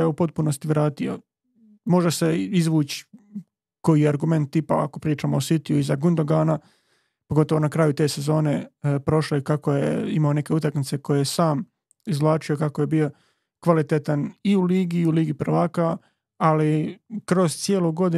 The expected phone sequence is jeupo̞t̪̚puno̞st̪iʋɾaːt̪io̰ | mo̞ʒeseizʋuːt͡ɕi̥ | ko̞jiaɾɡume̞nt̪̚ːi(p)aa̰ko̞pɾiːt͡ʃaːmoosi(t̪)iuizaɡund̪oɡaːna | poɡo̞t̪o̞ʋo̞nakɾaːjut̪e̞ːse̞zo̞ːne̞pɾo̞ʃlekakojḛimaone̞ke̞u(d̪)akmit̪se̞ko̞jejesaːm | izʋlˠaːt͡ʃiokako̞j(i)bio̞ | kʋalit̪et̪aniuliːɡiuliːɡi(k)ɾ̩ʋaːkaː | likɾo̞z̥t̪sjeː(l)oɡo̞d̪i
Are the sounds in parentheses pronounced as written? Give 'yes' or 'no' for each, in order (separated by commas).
yes, yes, no, no, no, yes